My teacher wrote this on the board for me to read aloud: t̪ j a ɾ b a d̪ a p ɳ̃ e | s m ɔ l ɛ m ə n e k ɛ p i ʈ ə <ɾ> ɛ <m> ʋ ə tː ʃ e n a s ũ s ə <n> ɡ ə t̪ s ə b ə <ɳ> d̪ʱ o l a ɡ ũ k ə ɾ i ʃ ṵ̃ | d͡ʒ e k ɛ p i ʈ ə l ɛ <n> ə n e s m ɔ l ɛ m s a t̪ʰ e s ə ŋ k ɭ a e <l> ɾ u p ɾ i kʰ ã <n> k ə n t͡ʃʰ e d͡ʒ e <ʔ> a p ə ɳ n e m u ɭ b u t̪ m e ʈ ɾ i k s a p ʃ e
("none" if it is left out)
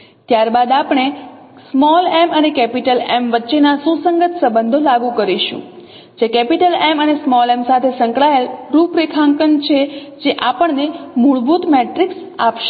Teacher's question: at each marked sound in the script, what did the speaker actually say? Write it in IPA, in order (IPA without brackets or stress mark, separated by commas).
l, m, ŋ, n, m, l, ŋ, ʔ